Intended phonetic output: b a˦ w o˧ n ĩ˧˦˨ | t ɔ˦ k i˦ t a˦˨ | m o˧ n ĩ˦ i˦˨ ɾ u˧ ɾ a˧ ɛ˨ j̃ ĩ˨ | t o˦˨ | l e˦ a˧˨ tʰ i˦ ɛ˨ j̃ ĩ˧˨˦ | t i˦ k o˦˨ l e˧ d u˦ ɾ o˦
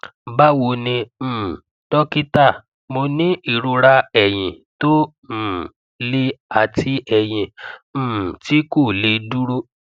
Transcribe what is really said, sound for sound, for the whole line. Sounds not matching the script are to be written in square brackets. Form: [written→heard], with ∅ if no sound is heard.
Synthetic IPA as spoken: b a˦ w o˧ n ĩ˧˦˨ | t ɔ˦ k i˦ t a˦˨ | m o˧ n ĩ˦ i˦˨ ɾ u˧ ɾ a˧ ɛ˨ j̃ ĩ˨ | t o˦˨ | l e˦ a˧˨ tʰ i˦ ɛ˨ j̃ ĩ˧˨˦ | t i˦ k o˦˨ l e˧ d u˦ ɾ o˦